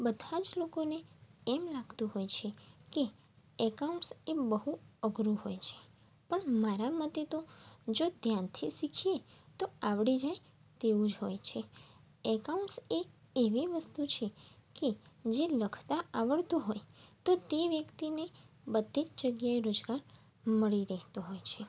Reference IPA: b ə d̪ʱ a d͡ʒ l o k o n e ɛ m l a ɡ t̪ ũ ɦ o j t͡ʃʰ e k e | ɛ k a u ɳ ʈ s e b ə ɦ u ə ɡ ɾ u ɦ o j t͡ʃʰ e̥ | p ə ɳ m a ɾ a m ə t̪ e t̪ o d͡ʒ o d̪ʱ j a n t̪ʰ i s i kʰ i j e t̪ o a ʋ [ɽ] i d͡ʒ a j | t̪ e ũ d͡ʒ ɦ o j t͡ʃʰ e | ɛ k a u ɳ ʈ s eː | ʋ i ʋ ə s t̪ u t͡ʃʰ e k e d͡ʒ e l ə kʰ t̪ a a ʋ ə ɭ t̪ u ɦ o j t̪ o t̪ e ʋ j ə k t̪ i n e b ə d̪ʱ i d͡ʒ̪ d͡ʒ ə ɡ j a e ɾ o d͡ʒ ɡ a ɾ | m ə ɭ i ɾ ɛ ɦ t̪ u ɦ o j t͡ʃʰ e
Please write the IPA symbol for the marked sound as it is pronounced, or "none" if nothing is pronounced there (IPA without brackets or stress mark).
ɽ